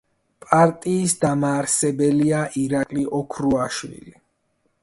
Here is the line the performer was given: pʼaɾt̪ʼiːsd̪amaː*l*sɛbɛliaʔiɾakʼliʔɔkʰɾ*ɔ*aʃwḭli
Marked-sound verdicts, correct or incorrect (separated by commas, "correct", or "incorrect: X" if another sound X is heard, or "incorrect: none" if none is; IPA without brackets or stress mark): incorrect: ɾ, incorrect: u